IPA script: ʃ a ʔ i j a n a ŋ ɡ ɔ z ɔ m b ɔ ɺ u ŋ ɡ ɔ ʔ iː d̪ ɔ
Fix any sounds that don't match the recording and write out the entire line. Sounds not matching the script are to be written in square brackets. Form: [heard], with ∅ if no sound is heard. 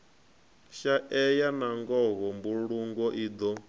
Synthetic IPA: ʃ a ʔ [ɛ] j a n a ŋ ɡ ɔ [ɣ] ɔ m b [u] ɺ u ŋ ɡ ɔ ʔ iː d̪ ɔ